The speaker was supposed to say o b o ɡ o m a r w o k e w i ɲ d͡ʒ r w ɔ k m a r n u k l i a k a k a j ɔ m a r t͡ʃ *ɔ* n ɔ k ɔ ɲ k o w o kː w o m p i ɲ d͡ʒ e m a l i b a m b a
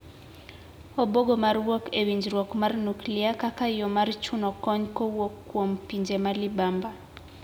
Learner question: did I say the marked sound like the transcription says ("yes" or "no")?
no